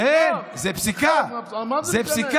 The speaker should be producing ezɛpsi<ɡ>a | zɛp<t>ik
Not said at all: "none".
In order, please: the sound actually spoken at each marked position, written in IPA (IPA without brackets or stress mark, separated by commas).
k, s